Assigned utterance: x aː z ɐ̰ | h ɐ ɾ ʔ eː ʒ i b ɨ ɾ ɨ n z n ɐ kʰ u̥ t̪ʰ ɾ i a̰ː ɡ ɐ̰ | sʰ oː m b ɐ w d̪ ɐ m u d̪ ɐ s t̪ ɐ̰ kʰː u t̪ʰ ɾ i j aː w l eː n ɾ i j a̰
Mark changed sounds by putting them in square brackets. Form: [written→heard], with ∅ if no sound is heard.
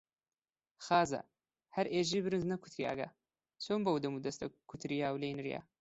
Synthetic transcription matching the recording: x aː z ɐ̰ | h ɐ ɾ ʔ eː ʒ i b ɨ ɾ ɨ n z n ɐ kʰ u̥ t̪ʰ ɾ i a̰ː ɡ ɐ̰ | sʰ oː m b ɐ w d̪ ɐ m u d̪ ɐ s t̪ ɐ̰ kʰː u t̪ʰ ɾ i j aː w l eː n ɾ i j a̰

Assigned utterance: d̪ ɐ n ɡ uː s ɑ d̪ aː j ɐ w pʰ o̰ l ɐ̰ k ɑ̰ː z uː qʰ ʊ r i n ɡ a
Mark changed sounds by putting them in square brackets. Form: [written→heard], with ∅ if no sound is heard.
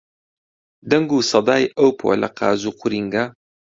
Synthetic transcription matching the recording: d̪ ɐ [n→ŋ] ɡ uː s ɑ d̪ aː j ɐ w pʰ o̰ l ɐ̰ [k→q] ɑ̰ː z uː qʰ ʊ [r→ɾ] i [n→ŋ] ɡ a

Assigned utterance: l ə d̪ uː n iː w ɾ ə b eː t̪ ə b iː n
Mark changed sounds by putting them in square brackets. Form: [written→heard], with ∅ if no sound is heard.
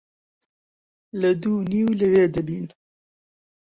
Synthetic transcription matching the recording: l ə d̪ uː n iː w [ɾ→l] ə [b→w] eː [t̪→d̪] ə b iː n

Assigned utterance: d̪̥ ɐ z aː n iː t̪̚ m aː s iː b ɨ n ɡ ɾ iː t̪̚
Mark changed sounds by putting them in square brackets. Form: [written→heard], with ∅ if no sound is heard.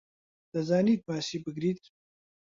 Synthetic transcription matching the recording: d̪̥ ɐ z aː n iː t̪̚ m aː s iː b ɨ [n→∅] ɡ ɾ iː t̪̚

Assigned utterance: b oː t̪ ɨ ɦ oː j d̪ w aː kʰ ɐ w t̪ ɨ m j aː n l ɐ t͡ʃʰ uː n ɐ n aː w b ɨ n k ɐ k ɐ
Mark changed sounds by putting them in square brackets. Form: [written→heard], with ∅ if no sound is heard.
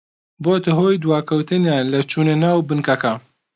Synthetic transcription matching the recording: b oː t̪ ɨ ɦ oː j d̪ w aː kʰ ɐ w t̪ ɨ [m→n] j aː n l ɐ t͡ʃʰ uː n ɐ n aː w b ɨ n k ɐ k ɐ

